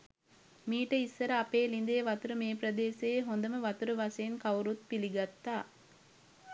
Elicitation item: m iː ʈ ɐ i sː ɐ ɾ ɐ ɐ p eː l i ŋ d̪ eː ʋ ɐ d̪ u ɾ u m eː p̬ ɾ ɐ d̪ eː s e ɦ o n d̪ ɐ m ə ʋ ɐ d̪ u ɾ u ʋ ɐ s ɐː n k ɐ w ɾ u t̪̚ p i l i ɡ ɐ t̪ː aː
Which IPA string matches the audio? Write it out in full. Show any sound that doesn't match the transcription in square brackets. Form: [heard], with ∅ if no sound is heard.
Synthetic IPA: m iː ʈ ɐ i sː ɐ ɾ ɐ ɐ p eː l i [n] d̪ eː ʋ ɐ [t̪] u ɾ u m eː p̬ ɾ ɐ d̪ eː s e ɦ o n d̪ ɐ m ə ʋ ɐ [t̪] u ɾ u ʋ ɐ s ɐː n k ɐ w ɾ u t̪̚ p i l i ɡ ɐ t̪ː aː